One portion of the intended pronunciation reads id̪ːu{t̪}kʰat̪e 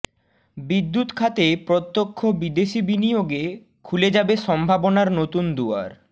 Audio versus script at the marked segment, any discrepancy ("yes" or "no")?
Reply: no